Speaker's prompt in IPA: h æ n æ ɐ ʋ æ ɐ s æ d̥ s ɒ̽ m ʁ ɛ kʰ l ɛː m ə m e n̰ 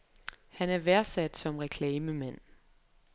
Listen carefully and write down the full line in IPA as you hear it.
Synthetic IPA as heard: h æ n æ ɐ ʋ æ ɐ s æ d̥ s ɒ̽ m ʁ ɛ kʰ l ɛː m ə m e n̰